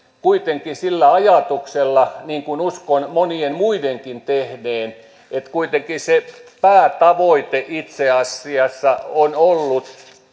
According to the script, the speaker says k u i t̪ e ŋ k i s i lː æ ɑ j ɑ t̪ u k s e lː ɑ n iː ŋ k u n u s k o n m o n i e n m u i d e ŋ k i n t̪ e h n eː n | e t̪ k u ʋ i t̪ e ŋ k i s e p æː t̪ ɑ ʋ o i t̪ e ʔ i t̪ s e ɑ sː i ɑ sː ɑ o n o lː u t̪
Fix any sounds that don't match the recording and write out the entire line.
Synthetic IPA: k u i t̪ e ŋ k i s i lː æ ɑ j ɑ t̪ u k s e lː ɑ n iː ŋ k u n u s k o n m o n i e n m u i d e ŋ k i n t̪ e h n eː n | e t̪ k u i t̪ e ŋ k i s e p æː t̪ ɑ ʋ o i t̪ e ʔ i t̪ s e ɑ sː i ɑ sː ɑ o n o lː u t̪

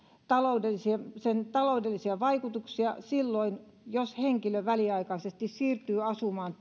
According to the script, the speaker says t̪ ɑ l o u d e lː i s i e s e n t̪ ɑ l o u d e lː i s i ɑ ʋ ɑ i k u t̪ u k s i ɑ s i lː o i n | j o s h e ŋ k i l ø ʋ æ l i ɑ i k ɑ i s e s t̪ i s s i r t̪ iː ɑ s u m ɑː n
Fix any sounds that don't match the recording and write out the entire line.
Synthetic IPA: t̪ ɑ l o u d e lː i s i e s e n t̪ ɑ l o u d e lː i s i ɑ ʋ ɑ i k u t̪ u k s i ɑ s i lː o i n | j o s h e ŋ k i l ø ʋ æ l i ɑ i k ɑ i s e s t̪ i s s iː r t̪ yː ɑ s u m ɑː n

